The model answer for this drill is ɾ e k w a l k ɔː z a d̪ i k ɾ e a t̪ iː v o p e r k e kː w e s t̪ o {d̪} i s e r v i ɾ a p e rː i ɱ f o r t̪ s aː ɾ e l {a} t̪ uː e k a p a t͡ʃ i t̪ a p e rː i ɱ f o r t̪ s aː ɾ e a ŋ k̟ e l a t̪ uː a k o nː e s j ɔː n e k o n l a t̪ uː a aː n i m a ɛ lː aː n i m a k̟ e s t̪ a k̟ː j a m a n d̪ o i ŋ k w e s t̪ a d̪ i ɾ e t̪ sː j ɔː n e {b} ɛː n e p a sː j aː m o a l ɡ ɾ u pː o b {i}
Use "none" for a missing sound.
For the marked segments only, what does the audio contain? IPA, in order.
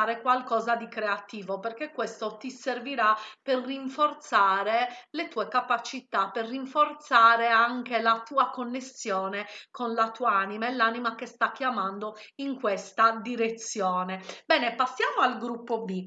t̪, e, b, i

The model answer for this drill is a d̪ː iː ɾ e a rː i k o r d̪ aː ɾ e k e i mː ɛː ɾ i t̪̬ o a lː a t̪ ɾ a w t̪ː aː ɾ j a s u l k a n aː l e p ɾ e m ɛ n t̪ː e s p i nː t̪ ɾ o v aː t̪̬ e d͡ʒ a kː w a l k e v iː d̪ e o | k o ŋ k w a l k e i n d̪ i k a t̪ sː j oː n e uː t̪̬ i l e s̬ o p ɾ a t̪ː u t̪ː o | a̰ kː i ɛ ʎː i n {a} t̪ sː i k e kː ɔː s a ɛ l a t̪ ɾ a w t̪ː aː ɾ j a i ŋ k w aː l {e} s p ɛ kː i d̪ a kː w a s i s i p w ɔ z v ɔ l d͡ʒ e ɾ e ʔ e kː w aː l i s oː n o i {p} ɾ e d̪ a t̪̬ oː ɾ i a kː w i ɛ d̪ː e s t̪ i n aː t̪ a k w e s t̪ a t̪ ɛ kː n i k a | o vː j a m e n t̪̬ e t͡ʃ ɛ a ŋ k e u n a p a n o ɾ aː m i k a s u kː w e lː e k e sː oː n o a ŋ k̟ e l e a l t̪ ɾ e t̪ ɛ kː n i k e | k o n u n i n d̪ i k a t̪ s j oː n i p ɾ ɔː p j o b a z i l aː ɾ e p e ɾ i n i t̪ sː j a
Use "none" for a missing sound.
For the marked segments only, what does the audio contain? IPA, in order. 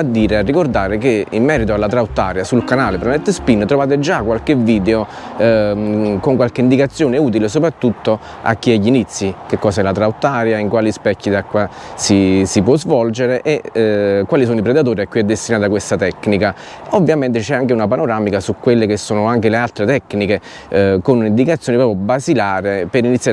i, i, p

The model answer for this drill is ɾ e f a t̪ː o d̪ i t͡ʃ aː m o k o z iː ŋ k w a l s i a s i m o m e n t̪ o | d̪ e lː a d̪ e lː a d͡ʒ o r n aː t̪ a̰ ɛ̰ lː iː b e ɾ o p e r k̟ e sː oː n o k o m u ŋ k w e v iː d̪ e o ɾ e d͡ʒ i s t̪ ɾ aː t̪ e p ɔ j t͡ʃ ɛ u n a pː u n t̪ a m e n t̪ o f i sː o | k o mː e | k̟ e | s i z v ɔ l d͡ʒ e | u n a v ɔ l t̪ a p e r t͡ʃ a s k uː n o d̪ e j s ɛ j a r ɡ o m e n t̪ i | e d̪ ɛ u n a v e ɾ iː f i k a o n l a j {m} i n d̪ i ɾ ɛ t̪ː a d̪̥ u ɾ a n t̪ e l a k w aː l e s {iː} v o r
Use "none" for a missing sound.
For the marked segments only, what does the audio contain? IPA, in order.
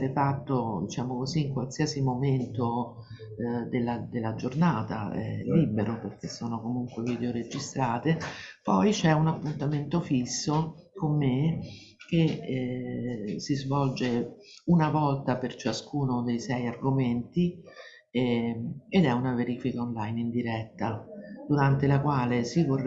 n, i

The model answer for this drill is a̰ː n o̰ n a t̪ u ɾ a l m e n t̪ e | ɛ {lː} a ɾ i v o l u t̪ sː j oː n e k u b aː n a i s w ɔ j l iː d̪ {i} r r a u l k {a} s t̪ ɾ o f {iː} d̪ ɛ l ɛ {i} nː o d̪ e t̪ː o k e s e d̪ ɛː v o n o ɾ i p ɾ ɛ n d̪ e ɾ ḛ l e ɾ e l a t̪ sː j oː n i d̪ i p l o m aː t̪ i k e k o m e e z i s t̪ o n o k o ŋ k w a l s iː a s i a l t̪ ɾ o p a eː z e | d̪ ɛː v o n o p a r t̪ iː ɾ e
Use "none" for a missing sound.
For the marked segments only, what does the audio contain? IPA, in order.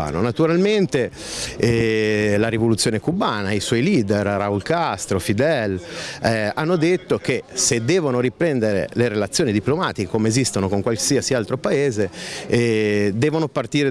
l, e, a, i, a

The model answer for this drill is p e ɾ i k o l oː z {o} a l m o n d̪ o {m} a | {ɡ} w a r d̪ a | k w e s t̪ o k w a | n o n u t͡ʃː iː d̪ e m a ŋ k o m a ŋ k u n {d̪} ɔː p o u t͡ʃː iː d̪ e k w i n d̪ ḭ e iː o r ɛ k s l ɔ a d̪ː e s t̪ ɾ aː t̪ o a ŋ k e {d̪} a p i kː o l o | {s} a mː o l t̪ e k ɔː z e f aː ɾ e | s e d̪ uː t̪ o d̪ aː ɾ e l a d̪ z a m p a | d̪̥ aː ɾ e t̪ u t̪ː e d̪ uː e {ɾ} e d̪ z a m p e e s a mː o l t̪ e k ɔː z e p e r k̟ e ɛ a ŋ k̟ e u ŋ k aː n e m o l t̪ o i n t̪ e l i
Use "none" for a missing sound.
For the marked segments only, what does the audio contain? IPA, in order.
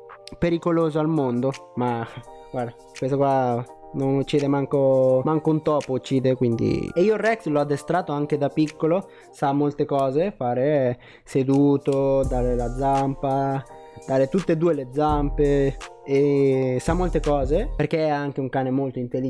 o, m, ɡ, t̪, d̪, s, l

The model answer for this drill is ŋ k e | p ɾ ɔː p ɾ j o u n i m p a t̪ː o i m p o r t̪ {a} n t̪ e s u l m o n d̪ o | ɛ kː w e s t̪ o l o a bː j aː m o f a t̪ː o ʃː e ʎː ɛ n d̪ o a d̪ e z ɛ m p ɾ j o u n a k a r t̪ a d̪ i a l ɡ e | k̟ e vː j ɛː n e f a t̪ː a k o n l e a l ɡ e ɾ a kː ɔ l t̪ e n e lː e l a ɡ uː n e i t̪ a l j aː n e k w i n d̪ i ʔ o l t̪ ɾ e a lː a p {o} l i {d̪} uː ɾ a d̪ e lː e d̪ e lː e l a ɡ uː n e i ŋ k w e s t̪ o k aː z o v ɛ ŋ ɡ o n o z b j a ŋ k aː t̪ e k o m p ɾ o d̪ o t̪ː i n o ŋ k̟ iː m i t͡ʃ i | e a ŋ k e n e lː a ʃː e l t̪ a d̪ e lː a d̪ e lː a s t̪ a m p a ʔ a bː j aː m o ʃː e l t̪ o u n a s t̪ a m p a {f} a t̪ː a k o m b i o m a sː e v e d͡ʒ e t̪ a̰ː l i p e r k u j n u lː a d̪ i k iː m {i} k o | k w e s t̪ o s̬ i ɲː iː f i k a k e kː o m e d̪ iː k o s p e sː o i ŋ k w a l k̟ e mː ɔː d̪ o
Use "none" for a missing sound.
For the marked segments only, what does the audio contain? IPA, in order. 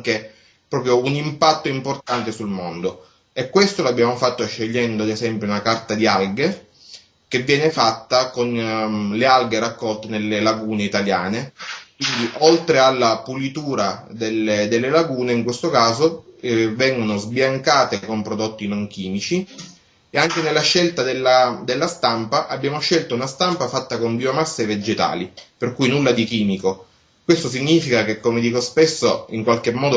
a, u, t̪, f, i

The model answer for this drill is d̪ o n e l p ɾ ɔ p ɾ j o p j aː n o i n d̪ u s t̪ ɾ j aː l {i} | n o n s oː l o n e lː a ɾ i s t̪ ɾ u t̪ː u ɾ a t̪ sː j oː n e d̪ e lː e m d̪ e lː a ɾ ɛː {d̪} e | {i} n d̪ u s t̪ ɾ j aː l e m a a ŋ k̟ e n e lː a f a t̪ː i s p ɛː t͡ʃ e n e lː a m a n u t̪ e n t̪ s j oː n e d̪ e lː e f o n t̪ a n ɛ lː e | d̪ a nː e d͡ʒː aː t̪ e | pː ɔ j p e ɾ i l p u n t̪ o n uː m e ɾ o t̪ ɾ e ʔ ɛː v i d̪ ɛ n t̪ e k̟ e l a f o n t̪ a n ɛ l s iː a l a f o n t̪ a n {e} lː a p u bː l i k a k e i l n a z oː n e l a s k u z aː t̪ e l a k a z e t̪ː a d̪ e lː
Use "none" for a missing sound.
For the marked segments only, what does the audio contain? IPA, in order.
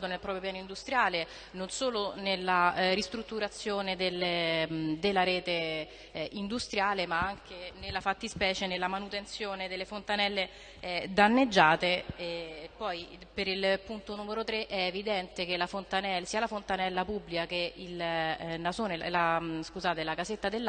e, t̪, i, ɛ

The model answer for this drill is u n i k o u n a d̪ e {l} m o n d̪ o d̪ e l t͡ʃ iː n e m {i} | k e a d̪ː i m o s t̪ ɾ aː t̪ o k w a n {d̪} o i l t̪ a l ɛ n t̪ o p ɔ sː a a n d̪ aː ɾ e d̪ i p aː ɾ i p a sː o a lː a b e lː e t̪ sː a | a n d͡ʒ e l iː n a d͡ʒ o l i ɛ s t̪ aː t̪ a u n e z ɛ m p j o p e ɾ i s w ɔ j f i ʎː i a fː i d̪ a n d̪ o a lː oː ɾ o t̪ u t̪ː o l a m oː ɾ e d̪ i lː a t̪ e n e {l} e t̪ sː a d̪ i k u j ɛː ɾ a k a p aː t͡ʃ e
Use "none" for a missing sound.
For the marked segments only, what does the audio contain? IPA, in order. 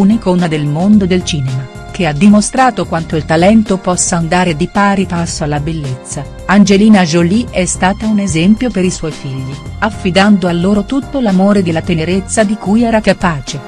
l, a, t̪, ɾ

